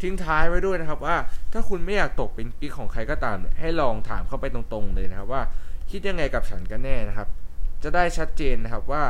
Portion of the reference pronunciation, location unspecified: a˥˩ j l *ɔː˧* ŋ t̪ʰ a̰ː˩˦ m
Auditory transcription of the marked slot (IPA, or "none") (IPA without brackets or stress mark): ɔː˧